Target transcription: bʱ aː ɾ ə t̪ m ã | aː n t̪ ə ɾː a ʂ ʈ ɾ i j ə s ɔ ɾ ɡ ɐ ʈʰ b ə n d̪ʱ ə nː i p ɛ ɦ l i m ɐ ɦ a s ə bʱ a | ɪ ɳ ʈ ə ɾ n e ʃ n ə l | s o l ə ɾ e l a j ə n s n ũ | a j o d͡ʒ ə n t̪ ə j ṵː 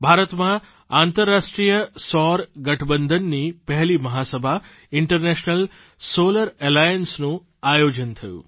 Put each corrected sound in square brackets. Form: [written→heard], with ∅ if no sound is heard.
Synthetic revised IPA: bʱ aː ɾ ə t̪ m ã | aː n t̪ ə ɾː a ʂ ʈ ɾ i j ə s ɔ ɾ ɡ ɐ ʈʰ b ə n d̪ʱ ə nː i p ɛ ɦ l i m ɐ ɦ a s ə bʱ a | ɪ ɳ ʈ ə ɾ n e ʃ n ə l | s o l ə ɾ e l a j ə n s n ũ | a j o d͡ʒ ə n [t̪→t̪ʰ] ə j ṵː